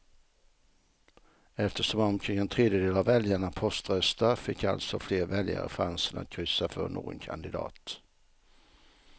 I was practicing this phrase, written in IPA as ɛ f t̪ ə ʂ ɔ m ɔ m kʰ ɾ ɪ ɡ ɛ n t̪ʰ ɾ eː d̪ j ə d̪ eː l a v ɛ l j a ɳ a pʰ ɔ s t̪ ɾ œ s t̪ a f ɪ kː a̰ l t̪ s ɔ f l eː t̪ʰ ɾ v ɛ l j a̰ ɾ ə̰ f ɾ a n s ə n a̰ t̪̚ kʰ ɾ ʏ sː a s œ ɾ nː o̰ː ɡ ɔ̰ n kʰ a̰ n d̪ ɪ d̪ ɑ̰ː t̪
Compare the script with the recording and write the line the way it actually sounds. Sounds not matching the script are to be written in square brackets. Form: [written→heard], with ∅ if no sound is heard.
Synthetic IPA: ɛ f t̪ ə ʂ ɔ m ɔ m kʰ ɾ ɪ [ɡ→ŋ] ɛ n t̪ʰ ɾ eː d̪ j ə d̪ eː l a v ɛ l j a ɳ a pʰ ɔ s t̪ ɾ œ s t̪ a f ɪ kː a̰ l t̪ s ɔ f l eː [t̪ʰ→∅] ɾ v ɛ l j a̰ ɾ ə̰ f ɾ a n s ə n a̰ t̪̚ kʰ ɾ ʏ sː a [s→f] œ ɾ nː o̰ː ɡ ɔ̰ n kʰ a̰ n d̪ ɪ d̪ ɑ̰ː t̪